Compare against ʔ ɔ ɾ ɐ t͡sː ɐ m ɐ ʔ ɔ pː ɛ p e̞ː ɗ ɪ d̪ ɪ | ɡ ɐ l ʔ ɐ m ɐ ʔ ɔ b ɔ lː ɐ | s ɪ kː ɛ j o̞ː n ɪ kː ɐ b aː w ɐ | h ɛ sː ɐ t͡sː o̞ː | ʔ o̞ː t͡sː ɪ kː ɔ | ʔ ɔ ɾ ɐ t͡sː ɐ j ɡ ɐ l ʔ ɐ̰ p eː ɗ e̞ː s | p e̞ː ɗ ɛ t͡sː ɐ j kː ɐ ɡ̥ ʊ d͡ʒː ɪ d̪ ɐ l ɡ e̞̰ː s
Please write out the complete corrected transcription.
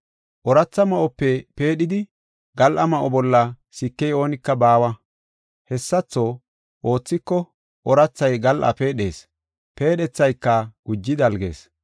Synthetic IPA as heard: ʔ ɔ ɾ ɐ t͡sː ɐ m ɐ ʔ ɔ pː ɛ p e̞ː ɗ ɪ d̪ ɪ | ɡ ɐ l ʔ ɐ m ɐ ʔ ɔ b ɔ lː ɐ | s ɪ kː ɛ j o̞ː n ɪ kː ɐ b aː w ɐ | h ɛ sː ɐ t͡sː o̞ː | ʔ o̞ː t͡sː ɪ kː ɔ | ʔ ɔ ɾ ɐ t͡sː ɐ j ɡ ɐ l ʔ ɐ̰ p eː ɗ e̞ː s | p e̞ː ɗ ɛ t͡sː ɐ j kː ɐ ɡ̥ ʊ d͡ʒː ɪ d̪ ɐ l ɡ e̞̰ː s